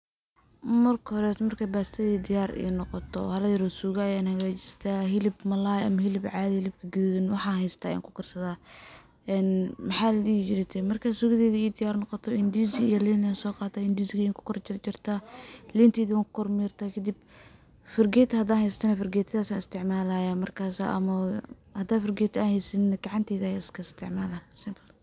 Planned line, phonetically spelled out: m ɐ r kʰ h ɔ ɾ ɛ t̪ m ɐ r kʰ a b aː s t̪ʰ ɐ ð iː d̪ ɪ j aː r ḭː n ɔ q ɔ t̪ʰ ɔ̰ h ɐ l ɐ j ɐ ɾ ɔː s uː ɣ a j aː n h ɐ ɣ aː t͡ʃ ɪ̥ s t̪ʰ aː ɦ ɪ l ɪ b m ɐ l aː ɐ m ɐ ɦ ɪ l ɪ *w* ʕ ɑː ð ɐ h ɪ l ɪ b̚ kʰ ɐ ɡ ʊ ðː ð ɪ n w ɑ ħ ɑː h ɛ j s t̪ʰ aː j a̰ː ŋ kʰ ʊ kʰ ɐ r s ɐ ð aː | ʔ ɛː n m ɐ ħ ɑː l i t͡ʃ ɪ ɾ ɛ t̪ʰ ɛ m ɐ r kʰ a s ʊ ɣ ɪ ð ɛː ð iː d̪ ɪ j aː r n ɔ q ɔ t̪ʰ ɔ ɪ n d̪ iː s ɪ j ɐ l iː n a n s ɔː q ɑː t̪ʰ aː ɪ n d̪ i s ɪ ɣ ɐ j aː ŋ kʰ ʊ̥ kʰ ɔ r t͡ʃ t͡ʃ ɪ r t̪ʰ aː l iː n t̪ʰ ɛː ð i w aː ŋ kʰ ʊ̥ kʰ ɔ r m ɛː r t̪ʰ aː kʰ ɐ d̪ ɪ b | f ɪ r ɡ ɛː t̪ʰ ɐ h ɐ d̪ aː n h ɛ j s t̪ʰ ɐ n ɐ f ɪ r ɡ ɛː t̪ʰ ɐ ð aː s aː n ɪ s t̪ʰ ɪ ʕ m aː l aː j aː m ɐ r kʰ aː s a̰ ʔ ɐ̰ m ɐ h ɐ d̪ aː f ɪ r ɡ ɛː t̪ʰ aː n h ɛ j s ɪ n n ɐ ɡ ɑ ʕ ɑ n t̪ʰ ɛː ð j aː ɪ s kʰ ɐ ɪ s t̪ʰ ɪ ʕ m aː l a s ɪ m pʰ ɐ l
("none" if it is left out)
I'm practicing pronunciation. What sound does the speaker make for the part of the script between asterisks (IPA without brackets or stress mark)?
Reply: b